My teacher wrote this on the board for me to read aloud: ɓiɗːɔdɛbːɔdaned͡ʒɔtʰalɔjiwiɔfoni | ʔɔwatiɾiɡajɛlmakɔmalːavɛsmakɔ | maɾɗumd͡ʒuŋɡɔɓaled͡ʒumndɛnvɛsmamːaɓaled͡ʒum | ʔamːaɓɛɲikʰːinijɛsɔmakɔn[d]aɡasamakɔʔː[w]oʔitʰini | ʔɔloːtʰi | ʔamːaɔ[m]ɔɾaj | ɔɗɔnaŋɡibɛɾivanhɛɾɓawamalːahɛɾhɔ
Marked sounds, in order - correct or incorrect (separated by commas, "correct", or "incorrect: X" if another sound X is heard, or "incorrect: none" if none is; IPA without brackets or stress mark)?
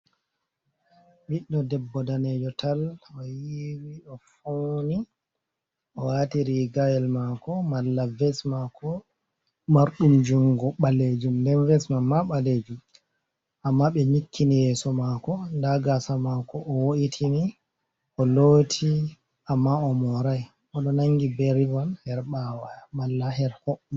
correct, correct, correct